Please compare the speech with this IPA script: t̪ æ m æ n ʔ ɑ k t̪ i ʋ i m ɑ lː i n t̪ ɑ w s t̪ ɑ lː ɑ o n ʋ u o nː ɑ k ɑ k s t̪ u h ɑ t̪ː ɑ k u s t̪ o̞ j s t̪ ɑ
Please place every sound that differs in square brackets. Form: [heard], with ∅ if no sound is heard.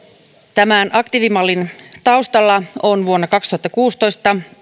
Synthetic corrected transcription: t̪ æ m æ n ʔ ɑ k t̪ i ʋ i m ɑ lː i n t̪ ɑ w s t̪ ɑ lː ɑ o n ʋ u o nː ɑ k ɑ k s t̪ u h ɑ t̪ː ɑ k [uː] s t̪ o̞ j s t̪ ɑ